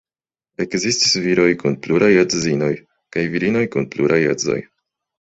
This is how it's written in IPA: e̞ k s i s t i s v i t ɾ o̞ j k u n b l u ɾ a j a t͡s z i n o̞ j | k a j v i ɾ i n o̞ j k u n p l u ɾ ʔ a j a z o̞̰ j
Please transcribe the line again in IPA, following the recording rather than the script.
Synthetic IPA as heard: e̞ k z i s t i s v i ɾ o̞ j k u n p l u ɾ a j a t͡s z i n o̞ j | k a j v i ɾ i n o̞ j k u n p l u ɾ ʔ a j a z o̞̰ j